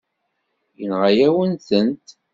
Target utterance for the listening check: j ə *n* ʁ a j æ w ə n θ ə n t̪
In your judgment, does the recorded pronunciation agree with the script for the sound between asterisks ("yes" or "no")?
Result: yes